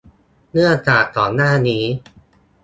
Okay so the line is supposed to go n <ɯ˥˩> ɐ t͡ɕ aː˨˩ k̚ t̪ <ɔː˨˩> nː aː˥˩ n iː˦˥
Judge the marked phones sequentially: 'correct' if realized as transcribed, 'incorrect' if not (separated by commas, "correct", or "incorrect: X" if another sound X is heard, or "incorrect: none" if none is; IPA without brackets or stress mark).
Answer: correct, correct